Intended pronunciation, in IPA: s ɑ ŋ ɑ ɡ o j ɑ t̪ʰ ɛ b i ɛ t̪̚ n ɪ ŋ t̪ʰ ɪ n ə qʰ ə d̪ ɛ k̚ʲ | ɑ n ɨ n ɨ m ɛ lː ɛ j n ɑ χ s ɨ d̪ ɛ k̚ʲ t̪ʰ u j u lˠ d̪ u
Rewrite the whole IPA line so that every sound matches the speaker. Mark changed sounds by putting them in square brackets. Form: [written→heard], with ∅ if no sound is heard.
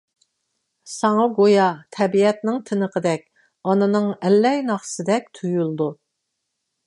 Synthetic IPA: s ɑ ŋ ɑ ɡ o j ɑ t̪ʰ ɛ b i ɛ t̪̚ n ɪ ŋ t̪ʰ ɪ n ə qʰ ə d̪ ɛ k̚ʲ | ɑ n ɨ n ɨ [m→ŋ] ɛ lː ɛ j n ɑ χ s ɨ d̪ ɛ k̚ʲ t̪ʰ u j u lˠ d̪ u